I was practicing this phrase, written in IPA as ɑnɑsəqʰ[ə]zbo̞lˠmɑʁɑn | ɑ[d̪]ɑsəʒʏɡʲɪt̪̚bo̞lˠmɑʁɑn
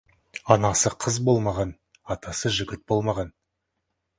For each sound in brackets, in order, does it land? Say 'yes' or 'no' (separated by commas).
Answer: yes, no